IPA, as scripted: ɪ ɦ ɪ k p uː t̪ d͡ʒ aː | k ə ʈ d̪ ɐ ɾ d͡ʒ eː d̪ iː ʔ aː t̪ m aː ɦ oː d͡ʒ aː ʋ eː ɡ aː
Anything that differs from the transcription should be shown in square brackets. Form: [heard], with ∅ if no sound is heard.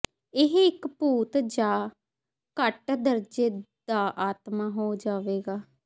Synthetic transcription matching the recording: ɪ ɦ ɪ k p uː t̪ d͡ʒ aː | k ə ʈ d̪ [ə] ɾ d͡ʒ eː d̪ [aː] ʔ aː t̪ m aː ɦ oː d͡ʒ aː ʋ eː ɡ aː